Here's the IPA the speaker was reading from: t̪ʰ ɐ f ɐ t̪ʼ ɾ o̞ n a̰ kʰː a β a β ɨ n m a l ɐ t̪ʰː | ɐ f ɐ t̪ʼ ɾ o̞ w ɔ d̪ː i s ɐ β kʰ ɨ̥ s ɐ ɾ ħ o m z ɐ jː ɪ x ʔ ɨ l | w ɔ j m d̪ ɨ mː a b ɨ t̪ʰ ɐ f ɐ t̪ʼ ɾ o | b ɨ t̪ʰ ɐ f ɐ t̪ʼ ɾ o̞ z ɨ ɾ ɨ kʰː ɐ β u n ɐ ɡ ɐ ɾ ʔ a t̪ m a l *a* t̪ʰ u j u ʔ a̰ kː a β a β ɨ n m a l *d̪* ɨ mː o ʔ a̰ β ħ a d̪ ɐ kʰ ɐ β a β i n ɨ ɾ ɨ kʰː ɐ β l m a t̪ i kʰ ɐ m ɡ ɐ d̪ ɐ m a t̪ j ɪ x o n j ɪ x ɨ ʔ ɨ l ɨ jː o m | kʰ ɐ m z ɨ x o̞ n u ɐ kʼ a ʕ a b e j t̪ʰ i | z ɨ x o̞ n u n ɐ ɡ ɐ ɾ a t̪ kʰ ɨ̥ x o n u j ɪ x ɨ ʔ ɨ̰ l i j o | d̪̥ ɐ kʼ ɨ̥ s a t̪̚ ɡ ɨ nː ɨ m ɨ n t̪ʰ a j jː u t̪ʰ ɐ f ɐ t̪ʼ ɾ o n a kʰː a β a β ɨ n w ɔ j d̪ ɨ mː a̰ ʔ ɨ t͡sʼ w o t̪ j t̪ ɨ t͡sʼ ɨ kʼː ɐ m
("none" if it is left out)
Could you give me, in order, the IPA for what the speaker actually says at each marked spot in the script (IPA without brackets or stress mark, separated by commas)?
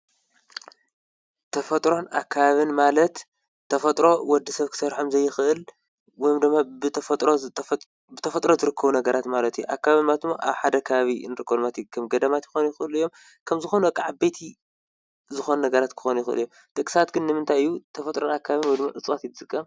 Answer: ɐ, t̪